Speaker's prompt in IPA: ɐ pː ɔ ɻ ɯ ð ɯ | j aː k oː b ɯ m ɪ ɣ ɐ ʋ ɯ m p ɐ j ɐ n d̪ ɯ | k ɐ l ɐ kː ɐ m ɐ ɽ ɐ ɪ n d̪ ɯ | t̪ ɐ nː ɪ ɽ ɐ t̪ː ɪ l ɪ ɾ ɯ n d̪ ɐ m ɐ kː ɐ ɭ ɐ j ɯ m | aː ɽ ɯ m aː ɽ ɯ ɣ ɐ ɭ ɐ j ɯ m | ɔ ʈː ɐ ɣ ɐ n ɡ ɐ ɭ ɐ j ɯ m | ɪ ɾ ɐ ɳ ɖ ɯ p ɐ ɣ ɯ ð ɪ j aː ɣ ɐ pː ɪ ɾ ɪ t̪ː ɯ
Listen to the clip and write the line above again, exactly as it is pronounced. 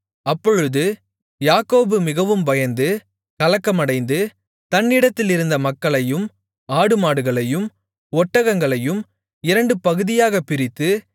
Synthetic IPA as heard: ɐ pː ɔ ɻ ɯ ð ɯ | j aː k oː b ɯ m ɪ ɣ ɐ ʋ ɯ m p ɐ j ɐ n d̪ ɯ | k ɐ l ɐ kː ɐ m ɐ ɽ ɐ ɪ n d̪ ɯ | t̪ ɐ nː ɪ ɽ ɐ t̪ː ɪ l ɪ ɾ ɯ n d̪ ɐ m ɐ kː ɐ ɭ ɐ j ɯ m | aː ɽ ɯ m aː ɽ ɯ ɣ ɐ ɭ ɐ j ɯ m | ɔ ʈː ɐ ɣ ɐ ŋ ɡ ɐ ɭ ɐ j ɯ m | ɪ ɾ ɐ ɳ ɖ ɯ p ɐ ɣ ɯ ð ɪ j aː ɣ ɐ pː ɪ ɾ ɪ t̪ː ɯ